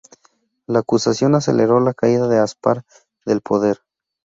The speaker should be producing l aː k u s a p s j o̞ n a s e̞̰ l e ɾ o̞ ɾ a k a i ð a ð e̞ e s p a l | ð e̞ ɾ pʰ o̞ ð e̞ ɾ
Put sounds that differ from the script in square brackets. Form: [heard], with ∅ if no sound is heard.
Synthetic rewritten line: l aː k u s a [∅] s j o̞ n a s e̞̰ l e ɾ o̞ [l] a k a i ð a ð e̞ [a] s p a [ɾ] | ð e̞ [l] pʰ o̞ ð e̞ ɾ